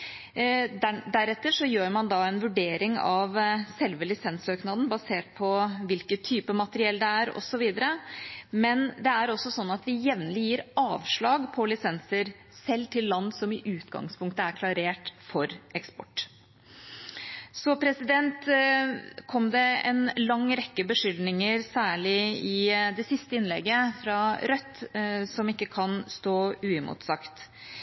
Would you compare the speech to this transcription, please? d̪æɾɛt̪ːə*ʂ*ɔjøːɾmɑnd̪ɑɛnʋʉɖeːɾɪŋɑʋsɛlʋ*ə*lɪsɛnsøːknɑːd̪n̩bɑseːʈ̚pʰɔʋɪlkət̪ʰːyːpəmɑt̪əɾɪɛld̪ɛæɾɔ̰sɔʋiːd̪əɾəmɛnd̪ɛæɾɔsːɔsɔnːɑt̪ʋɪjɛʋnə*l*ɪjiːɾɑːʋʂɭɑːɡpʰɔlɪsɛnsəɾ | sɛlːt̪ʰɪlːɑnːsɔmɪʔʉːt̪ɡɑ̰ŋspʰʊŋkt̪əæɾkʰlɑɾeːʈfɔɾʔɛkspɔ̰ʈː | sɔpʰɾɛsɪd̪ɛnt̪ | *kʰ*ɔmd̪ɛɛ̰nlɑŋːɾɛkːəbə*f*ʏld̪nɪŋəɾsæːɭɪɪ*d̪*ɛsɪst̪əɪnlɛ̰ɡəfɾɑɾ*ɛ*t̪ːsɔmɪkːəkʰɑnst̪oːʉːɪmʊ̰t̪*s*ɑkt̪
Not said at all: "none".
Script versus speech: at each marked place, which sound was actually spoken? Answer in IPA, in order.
ʂ, ə, l, kʰ, ʂ, d̪, œ, s

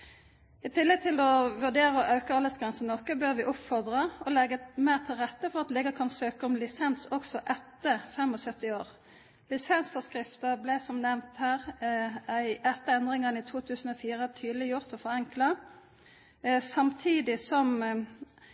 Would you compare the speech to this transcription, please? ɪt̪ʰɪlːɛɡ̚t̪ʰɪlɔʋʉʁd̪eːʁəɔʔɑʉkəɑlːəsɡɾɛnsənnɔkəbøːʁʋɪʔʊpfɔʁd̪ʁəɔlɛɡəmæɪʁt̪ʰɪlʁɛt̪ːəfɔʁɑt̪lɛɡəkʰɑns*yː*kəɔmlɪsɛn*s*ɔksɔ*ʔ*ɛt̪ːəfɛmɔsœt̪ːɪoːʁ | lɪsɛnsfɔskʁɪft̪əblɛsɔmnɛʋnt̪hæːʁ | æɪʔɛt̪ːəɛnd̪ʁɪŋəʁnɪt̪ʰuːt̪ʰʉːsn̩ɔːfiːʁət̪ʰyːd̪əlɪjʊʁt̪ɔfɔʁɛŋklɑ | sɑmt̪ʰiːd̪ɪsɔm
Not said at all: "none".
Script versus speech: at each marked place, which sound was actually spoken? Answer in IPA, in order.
øː, s, ʔ

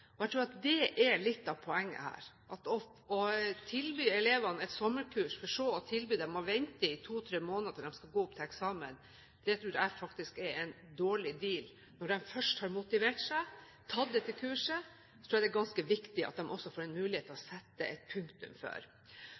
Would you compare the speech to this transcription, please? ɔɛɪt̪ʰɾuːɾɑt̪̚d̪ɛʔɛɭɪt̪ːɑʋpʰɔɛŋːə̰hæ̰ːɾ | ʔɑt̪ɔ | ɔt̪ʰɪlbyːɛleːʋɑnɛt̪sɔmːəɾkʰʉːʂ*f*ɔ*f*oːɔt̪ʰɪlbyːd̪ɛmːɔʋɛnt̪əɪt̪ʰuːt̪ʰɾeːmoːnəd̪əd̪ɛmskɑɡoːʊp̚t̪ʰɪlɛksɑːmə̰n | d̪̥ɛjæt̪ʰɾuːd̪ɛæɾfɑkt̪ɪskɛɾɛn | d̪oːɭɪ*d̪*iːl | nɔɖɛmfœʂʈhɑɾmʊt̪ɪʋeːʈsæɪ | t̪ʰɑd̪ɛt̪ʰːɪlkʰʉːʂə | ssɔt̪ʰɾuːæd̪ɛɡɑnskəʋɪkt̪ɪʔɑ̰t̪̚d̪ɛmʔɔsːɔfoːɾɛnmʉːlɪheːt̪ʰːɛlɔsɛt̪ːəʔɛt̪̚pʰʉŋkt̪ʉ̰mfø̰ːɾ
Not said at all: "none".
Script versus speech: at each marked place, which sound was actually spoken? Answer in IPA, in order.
f, ʂ, d̪

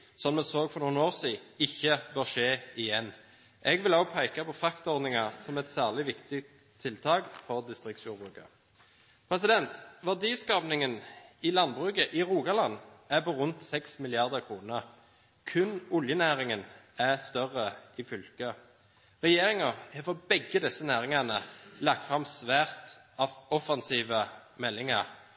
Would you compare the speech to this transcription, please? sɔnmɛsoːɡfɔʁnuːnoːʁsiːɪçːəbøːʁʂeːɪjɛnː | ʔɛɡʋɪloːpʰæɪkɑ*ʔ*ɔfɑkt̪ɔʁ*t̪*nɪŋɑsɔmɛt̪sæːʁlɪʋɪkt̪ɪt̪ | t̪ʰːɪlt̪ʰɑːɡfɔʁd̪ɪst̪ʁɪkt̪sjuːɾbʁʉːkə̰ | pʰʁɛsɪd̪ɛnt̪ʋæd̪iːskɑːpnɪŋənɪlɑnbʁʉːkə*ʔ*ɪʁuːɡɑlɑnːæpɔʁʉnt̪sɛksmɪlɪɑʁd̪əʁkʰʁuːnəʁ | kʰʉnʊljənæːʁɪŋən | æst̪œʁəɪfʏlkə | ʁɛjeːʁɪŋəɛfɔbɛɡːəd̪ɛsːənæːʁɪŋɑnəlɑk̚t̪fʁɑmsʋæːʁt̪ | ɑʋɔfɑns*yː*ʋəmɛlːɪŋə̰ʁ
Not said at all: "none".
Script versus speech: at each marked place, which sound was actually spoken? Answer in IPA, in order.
p, d̪, ʔ, iː

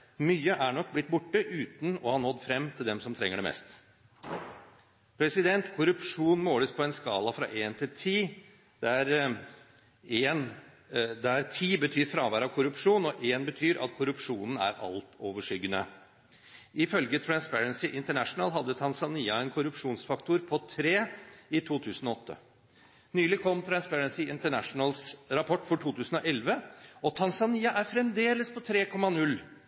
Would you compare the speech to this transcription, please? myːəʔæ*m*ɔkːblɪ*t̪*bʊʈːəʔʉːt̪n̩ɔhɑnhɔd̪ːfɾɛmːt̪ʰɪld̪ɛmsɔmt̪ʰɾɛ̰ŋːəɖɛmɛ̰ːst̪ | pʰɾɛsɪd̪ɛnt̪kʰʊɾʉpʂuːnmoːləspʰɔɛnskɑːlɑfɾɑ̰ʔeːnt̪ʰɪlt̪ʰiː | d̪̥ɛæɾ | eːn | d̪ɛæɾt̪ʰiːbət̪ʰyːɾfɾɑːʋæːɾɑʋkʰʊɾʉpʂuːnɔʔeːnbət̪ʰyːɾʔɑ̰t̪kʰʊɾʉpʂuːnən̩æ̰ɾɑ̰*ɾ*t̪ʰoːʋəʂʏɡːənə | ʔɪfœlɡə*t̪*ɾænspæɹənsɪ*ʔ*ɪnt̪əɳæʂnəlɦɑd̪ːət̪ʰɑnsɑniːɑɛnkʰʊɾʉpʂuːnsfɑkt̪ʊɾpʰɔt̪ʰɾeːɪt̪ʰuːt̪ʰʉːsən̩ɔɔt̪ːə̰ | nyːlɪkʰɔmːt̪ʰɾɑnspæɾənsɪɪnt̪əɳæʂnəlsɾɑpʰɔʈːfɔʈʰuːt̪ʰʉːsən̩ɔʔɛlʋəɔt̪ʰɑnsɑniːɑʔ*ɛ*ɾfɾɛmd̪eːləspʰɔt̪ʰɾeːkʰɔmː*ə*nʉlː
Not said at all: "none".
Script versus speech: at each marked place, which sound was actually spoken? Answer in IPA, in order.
ɳ, t̪, l, t̪ʰ, ʔ, æ, ɑ

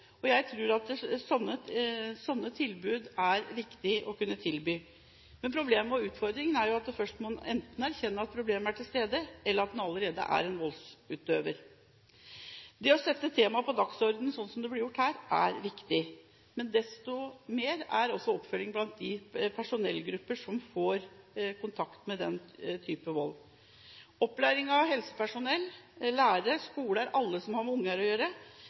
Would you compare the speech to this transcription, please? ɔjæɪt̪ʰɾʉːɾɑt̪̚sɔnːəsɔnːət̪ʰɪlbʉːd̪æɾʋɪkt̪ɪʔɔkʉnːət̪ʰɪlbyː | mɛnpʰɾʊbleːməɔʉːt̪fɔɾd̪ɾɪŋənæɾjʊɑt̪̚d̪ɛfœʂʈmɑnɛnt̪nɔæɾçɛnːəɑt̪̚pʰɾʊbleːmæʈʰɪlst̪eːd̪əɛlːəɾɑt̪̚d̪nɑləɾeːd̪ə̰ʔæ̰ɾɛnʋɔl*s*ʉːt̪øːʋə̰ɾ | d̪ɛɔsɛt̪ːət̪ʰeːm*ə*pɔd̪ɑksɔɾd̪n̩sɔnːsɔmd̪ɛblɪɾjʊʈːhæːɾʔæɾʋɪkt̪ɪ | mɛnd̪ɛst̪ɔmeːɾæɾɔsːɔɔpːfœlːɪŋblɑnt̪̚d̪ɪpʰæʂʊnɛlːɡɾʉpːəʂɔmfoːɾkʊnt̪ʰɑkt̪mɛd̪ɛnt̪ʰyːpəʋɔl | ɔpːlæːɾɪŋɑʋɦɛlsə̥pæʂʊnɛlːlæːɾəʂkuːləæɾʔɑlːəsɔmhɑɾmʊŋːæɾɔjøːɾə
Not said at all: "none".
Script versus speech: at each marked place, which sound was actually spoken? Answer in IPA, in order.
s, ɑ

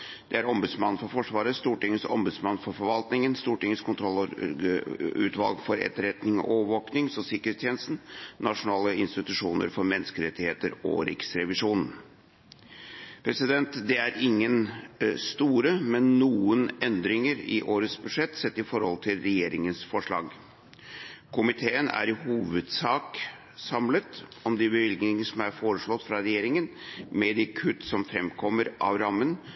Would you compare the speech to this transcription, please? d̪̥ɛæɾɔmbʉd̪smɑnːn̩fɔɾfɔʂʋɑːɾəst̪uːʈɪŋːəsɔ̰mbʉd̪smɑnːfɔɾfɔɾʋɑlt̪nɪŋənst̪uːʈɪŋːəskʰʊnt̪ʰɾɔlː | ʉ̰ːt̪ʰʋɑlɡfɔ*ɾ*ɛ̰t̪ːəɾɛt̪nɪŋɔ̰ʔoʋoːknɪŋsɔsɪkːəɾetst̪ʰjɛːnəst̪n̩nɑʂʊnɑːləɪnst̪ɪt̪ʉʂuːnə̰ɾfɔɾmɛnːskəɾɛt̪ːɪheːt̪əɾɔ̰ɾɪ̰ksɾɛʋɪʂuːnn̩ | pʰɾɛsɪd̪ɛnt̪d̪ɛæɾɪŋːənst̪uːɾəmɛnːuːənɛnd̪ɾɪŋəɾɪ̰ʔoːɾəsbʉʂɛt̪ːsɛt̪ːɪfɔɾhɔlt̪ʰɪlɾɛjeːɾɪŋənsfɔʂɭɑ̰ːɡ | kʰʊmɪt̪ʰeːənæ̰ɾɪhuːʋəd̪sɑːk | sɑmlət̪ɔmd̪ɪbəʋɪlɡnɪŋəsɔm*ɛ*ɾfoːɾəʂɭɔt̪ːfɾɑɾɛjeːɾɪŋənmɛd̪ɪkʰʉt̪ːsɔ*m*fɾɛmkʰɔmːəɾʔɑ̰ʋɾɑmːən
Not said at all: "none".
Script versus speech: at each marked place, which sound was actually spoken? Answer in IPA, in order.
ɾ, æ, m

